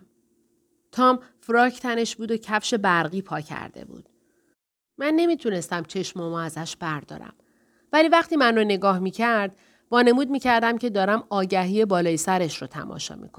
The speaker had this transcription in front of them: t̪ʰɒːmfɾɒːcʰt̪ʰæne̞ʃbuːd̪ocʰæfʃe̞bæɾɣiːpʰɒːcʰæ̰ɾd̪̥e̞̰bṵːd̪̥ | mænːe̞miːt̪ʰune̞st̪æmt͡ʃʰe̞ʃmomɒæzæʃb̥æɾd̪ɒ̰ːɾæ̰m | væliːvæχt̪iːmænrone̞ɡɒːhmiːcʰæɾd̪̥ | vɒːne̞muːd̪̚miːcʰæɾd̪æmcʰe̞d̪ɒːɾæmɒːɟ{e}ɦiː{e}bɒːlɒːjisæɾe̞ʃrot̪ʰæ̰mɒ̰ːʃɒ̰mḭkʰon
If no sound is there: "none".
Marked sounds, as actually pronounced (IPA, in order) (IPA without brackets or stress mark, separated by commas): æ, e